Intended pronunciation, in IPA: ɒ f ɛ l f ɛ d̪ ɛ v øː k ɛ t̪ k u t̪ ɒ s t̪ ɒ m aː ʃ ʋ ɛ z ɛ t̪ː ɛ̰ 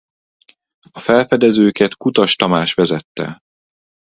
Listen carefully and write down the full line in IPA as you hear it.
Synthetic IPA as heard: ɒ f ɛ l f ɛ d̪ ɛ z øː k ɛ t̪ k u t̪ ɒ ʃ t̪ ɒ m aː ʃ ʋ ɛ z ɛ t̪ː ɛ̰

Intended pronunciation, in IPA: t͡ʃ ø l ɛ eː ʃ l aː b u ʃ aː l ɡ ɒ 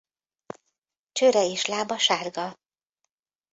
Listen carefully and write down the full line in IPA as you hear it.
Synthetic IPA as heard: t͡ʃ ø ɾ ɛ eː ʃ l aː b ɒ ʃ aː r ɡ ɒ

